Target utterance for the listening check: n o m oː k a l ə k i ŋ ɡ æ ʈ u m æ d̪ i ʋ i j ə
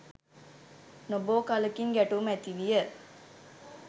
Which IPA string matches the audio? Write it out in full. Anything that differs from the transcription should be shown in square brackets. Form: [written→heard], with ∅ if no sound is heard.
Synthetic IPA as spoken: n o [m→b] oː k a l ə k i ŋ ɡ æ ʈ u m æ [d̪→t̪] i ʋ i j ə

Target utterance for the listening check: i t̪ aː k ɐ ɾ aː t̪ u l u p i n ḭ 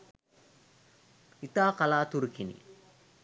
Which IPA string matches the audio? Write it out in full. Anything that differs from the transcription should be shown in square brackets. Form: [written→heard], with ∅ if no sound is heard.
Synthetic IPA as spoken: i t̪ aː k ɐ [ɾ→l] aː t̪ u [l→ɾ] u [p→k] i n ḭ

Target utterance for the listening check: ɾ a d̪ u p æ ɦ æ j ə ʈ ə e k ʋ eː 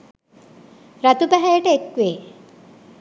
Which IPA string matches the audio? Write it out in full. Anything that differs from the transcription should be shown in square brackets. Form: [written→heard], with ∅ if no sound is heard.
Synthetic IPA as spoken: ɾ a [d̪→t̪] u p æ ɦ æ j ə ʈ ə e k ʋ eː

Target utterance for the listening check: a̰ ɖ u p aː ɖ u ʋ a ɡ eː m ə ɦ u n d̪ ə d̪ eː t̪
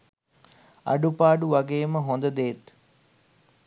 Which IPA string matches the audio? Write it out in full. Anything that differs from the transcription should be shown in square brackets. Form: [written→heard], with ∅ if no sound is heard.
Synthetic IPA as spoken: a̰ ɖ u p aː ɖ u ʋ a ɡ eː m ə ɦ [u→o] n d̪ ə d̪ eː t̪

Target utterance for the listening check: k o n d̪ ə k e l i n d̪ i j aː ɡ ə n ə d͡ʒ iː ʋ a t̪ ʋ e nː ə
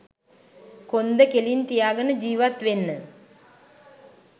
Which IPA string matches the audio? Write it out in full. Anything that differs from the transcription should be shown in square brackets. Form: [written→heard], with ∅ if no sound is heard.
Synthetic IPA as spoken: k o n d̪ ə k e l i n [d̪→t̪] i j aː ɡ ə n ə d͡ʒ iː ʋ a t̪ ʋ e nː ə

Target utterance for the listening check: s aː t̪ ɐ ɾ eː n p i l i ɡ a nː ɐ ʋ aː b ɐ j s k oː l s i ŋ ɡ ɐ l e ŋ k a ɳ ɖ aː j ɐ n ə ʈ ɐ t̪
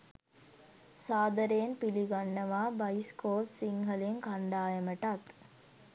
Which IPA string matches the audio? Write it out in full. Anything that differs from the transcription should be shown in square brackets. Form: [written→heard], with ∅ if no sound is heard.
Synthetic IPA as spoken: s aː [t̪→d̪] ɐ ɾ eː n p i l i ɡ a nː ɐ ʋ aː b ɐ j s k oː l s i ŋ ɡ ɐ l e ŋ k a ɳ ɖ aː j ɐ [n→m] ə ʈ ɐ t̪

